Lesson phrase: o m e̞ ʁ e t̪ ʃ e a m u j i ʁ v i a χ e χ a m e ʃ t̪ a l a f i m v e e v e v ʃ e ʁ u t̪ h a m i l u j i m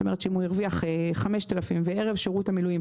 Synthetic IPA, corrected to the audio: o m e̞ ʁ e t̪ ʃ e i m u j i ʁ v i a χ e χ a m e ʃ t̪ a l a f i m v e e ʁ e v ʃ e ʁ u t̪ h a m i l u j i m